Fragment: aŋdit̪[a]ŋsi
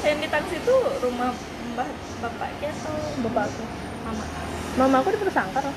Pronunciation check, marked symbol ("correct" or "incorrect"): correct